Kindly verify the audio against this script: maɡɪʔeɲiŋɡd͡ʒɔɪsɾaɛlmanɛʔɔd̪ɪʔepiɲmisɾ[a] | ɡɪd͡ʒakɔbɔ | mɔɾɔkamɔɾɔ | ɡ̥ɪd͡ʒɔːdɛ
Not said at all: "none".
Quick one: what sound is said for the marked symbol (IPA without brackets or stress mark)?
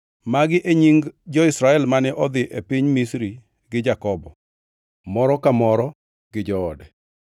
i